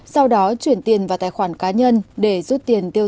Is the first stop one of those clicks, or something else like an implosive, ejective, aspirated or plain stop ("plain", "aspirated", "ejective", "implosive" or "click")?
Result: implosive